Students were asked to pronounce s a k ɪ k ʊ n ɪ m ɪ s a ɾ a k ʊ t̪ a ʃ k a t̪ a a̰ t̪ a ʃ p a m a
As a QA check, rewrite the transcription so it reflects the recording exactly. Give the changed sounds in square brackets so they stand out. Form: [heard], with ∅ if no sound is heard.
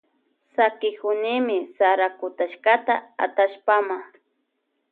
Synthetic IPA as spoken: s a k ɪ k ʊ n ɪ m ɪ s a ɾ a k ʊ t̪ a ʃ k a t̪ a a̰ t̪ a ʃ p a m a